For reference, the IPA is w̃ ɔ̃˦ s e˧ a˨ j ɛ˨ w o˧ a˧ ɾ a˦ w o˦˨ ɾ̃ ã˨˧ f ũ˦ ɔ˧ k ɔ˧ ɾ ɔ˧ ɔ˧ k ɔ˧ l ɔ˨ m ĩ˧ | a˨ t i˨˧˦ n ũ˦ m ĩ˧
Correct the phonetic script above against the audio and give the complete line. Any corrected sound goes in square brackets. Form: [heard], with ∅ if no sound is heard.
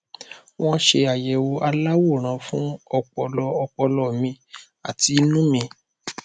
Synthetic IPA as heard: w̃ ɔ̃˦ [ʃ] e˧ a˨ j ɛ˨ w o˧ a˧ [l] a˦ w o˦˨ ɾ̃ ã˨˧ f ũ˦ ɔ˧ [k͡p] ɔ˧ [l] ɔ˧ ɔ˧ [k͡p] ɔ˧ l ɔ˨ m ĩ˧ | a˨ t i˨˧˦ n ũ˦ m ĩ˧